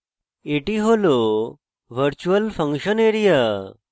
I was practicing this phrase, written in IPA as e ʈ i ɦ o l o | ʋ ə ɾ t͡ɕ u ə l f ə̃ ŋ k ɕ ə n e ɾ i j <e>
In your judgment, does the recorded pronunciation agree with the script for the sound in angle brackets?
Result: no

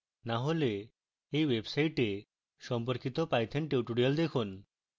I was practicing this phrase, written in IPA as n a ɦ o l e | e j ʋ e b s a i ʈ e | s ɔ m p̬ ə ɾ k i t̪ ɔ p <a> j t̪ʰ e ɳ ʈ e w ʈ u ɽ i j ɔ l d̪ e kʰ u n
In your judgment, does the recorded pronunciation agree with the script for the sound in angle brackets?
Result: yes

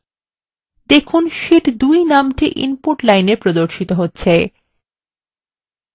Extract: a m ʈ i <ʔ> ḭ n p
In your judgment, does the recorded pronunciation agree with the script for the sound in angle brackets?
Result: yes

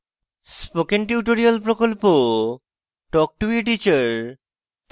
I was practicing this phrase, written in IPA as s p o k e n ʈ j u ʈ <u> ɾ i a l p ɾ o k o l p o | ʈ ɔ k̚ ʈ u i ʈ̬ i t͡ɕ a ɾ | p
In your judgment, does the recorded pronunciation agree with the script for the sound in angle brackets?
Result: no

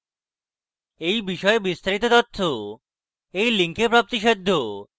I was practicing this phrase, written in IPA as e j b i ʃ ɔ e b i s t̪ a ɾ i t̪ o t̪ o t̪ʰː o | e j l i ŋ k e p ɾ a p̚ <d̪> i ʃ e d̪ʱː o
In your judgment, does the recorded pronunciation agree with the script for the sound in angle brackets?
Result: no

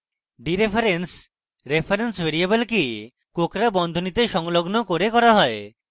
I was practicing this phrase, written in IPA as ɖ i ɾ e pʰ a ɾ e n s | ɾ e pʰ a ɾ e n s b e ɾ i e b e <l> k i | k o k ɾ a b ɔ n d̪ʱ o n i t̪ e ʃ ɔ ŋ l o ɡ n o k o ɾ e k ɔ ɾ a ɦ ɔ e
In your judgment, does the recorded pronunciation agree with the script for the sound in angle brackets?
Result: yes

